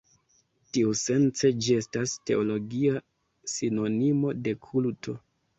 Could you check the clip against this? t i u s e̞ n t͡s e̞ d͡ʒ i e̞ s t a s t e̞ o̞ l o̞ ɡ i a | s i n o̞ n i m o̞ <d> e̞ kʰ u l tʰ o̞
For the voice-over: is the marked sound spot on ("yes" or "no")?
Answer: yes